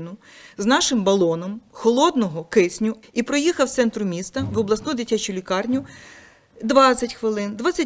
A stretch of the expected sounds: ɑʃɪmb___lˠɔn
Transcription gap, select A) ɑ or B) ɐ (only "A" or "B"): B